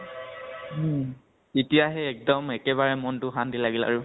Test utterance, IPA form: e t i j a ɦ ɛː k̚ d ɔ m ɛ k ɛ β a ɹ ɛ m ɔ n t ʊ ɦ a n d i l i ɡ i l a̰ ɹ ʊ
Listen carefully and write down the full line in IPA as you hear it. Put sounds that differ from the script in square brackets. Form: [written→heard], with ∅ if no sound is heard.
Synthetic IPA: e t i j a ɦ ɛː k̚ d ɔ m ɛ k ɛ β a ɹ ɛ m ɔ n t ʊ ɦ a n d i l [i→a] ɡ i l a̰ ɹ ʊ